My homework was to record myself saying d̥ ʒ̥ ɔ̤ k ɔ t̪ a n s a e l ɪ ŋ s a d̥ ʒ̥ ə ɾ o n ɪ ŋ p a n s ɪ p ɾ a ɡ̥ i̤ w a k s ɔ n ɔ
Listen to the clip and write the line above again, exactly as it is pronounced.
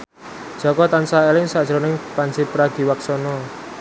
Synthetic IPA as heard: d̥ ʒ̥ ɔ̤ k ɔ t̪ a n s a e l ɪ ŋ s a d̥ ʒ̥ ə ɾ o n ɪ ŋ p a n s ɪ p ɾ a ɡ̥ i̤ w a k s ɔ n ɔ